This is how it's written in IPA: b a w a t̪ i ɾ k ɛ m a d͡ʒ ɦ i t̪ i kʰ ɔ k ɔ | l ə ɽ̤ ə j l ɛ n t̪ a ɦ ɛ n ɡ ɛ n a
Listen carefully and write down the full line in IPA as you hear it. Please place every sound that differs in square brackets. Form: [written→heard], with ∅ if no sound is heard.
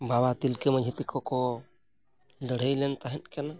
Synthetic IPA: b a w a t̪ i [ɾ→l] k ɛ m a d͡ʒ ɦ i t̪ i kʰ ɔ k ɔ | l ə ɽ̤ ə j l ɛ n t̪ a ɦ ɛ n [ɡ→k] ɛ n a